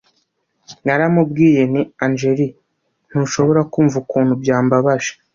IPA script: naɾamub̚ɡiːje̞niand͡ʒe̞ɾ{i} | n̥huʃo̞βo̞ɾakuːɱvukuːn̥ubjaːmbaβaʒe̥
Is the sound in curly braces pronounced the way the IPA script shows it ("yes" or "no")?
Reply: yes